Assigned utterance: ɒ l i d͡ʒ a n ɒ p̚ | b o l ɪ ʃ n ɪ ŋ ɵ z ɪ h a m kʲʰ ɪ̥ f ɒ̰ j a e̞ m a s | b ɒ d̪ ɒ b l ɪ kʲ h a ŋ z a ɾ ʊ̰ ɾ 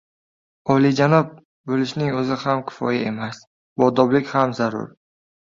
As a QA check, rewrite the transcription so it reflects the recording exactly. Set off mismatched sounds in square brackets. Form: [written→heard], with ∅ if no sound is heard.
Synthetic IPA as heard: ɒ l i d͡ʒ a n ɒ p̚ | b o l ɪ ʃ n ɪ ŋ ɵ z ɪ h a m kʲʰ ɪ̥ f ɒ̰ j a e̞ m a s | b ɒ d̪ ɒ b l ɪ kʲ h a [ŋ→m] z a ɾ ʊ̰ ɾ